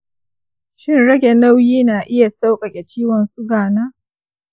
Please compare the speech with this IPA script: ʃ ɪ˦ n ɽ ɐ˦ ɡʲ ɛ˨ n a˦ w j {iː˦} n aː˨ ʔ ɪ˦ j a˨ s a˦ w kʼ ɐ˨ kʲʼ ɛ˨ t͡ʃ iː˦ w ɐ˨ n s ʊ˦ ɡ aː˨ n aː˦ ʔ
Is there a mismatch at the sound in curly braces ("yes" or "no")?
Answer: no